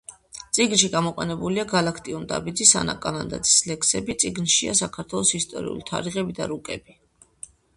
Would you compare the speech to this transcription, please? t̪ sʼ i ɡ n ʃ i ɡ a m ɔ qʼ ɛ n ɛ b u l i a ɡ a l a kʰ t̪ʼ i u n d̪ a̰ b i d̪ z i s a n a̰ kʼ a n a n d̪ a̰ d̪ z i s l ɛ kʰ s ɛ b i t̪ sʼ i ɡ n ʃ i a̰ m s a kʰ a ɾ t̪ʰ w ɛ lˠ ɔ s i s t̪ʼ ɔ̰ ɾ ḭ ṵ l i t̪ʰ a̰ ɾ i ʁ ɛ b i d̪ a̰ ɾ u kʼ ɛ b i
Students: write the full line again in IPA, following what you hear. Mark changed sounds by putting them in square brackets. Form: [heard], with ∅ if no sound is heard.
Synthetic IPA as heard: t̪ sʼ i ɡ n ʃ i ɡ a m ɔ qʼ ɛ n ɛ b u l i a ɡ a l a kʰ t̪ʼ i u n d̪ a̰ b i d̪ z i s a n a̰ kʼ a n a n d̪ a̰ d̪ z i s l ɛ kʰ s ɛ b i t̪ sʼ i ɡ n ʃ i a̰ [∅] s a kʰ a ɾ t̪ʰ w ɛ lˠ ɔ s i s t̪ʼ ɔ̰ ɾ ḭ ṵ l i t̪ʰ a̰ ɾ i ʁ ɛ b i d̪ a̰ ɾ u kʼ ɛ b i